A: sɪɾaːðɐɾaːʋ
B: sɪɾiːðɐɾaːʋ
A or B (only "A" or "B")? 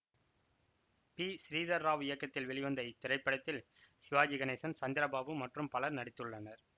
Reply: B